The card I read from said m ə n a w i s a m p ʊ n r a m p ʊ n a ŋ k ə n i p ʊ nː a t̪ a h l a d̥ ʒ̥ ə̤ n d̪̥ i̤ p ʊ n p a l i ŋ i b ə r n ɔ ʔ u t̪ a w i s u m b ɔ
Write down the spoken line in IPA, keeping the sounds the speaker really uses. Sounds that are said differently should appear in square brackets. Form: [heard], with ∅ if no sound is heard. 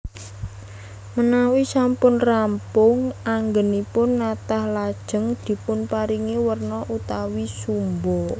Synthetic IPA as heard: m ə n a w i s a m p ʊ n r a m p ʊ [ŋ] a ŋ [ɡ] ə n i p ʊ nː a t̪ a h l a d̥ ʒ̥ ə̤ [ŋ] d̪̥ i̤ p ʊ n p a [ɾ] i ŋ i [w] ə r n ɔ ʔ u t̪ a w i s u m b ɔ